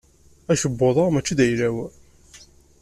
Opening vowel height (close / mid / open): open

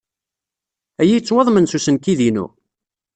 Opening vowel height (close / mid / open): open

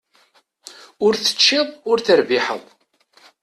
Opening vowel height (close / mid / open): close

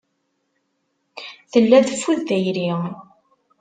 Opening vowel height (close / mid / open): mid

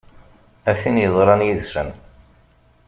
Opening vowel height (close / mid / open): open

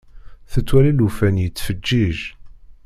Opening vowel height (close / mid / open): mid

